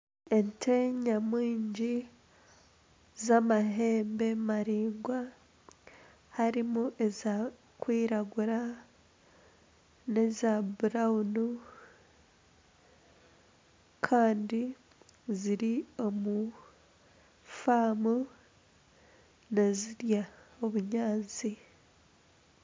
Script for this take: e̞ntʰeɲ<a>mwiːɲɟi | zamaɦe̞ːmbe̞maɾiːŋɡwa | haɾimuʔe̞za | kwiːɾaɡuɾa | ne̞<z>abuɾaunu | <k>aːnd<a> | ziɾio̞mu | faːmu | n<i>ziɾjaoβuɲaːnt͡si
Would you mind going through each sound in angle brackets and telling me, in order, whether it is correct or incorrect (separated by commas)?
correct, correct, incorrect, incorrect, incorrect